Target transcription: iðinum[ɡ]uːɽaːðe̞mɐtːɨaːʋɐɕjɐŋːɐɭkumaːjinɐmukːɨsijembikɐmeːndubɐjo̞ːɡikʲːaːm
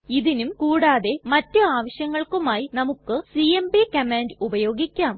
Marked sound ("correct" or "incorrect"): incorrect